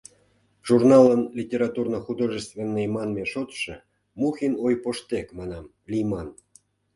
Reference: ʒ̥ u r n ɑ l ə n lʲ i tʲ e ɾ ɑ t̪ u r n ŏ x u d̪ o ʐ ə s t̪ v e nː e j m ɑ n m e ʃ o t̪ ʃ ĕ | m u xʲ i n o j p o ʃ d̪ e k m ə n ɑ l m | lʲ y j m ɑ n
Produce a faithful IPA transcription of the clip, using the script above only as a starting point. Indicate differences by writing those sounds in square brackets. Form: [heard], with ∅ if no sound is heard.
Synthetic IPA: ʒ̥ u r n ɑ l ə n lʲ i tʲ e ɾ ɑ t̪ u r n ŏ x u d̪ o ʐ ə s t̪ v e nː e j m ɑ n m e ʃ o t̪ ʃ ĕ | m u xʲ i n o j p o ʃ [t̪] e k m [ɑ] n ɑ [∅] m | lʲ [i] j m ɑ n